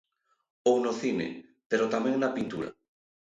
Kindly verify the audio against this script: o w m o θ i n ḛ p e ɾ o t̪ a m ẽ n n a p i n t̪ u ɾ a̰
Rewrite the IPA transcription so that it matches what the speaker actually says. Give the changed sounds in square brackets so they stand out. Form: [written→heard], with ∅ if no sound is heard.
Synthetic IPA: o w [m→n] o θ i n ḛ p e ɾ o t̪ a m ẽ [n→ŋ] n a p i n t̪ u ɾ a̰